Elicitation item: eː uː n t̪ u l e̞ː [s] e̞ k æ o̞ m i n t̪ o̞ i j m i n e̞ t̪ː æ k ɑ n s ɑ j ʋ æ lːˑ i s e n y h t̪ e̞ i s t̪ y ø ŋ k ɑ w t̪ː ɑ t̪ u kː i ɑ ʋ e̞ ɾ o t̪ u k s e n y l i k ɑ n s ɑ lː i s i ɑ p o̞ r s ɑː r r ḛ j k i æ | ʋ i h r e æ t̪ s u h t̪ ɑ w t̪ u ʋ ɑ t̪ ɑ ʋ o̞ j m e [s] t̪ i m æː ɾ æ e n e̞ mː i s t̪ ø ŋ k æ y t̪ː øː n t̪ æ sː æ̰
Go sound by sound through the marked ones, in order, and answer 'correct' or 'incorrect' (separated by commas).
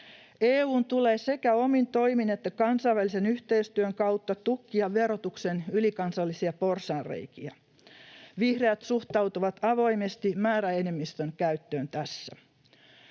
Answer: correct, correct